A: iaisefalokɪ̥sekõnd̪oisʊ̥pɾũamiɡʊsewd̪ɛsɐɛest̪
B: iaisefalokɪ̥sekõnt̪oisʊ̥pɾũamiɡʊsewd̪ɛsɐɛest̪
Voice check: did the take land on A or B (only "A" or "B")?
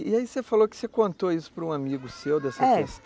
B